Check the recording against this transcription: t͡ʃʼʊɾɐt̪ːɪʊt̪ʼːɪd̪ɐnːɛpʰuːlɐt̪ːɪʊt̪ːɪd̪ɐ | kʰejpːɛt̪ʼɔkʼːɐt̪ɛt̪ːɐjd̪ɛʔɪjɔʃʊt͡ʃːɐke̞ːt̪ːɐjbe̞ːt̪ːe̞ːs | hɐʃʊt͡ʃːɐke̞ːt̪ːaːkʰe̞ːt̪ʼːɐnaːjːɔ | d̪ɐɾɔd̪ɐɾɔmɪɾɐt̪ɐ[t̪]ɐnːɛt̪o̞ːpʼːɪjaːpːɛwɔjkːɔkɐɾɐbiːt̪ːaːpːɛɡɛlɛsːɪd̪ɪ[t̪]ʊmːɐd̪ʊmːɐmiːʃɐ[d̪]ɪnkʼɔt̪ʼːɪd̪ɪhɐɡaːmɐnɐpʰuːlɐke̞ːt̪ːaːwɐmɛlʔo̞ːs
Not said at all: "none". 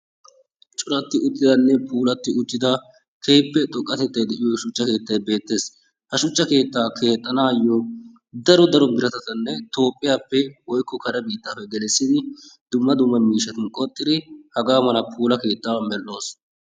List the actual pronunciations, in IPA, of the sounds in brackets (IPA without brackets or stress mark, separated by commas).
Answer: t̪, d̪, t̪